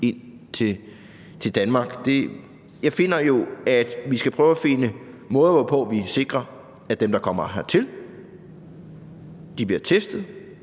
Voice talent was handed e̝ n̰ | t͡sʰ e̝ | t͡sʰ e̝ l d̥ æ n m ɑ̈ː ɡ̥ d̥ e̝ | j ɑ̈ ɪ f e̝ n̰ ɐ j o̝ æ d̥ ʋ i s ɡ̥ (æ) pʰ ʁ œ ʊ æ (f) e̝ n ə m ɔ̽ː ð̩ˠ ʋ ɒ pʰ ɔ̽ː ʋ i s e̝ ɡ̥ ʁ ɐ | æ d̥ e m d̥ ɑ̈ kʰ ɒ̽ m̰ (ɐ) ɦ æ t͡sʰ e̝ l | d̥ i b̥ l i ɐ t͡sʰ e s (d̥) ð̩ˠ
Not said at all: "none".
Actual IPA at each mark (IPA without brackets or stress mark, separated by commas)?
æ, f, ɐ, d̥